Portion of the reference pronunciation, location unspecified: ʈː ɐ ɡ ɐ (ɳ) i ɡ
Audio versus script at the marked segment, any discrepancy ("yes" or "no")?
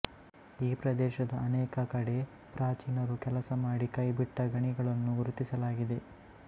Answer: no